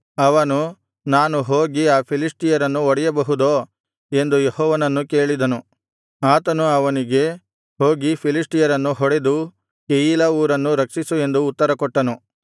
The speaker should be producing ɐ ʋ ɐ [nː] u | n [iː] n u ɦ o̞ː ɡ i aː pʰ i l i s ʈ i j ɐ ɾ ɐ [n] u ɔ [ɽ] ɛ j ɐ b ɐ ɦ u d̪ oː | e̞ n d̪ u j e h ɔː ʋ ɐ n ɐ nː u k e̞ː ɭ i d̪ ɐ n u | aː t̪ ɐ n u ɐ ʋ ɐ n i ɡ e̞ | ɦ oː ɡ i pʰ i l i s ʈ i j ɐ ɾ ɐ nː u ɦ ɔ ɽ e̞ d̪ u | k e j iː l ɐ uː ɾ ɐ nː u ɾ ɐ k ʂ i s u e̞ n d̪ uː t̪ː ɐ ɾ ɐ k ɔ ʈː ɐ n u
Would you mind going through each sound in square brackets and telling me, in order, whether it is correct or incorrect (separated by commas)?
incorrect, incorrect, incorrect, correct